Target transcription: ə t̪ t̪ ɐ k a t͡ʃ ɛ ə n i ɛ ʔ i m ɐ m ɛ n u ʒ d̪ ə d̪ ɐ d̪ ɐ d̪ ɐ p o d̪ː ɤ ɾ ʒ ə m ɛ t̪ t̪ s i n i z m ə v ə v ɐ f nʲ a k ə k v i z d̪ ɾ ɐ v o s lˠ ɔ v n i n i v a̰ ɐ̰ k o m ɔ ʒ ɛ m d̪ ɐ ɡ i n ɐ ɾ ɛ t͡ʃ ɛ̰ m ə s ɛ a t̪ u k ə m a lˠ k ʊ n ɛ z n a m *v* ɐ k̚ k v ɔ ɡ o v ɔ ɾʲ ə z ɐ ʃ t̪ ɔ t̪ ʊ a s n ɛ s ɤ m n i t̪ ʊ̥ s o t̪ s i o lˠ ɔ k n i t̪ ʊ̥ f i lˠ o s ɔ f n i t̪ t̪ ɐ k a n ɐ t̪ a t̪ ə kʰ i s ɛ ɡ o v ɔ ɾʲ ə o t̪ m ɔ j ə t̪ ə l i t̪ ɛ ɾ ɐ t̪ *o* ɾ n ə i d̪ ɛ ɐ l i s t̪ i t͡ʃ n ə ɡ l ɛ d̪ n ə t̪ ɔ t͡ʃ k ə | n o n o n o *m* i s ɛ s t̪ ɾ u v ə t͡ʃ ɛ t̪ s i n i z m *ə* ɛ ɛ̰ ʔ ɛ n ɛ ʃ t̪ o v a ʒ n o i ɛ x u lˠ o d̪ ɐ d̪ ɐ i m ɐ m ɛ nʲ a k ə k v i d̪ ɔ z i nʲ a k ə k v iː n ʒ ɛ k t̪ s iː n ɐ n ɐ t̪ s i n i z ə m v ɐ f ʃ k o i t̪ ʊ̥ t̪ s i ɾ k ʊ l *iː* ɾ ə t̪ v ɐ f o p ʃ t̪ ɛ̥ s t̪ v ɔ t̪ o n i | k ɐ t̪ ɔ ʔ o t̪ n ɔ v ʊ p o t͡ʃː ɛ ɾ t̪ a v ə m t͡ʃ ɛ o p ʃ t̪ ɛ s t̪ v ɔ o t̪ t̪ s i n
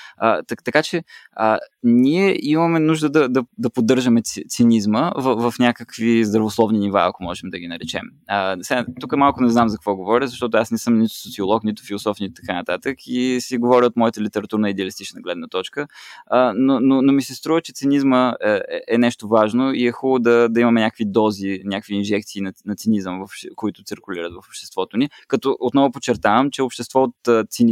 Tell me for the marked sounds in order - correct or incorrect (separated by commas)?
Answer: incorrect, incorrect, correct, correct, incorrect